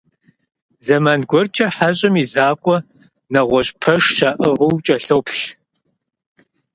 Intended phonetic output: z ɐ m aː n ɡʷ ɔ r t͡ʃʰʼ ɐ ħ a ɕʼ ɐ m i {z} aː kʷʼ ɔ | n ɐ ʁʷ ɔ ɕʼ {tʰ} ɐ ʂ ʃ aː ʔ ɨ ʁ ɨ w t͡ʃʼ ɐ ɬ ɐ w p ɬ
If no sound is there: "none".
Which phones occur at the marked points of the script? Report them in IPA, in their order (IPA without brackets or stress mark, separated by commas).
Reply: z, pʰ